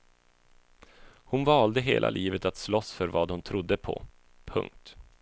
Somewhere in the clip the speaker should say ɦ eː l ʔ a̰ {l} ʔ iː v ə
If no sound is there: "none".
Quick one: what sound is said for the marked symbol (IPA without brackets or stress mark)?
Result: l